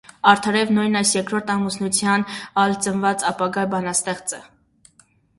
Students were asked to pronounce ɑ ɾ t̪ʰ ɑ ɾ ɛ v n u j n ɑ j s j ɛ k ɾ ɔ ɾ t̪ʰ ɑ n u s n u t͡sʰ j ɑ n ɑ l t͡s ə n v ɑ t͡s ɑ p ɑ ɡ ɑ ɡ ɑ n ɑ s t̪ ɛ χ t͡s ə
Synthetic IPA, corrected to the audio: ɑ ɾ t̪ʰ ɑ ɾ ɛ v n u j n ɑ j s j ɛ k ɾ ɔ ɾ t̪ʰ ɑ m u s n u t͡sʰ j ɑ n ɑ l t͡s ə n v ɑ t͡s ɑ p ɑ ɡ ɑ b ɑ n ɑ s t̪ ɛ χ t͡s ə